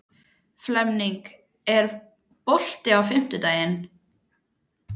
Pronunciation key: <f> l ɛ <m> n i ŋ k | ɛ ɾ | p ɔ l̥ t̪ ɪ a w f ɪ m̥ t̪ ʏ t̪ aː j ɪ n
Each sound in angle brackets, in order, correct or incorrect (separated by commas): correct, correct